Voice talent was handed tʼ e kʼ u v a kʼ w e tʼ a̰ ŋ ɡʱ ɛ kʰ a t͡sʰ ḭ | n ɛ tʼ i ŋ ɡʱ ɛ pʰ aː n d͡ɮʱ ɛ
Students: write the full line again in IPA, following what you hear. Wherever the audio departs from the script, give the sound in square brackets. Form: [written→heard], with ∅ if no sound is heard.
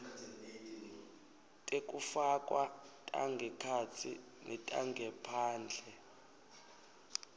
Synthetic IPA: tʼ e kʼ u [v→f] a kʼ w [e→a] tʼ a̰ ŋ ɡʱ ɛ kʰ a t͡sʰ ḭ | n ɛ tʼ [i→a] ŋ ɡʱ ɛ pʰ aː n d͡ɮʱ ɛ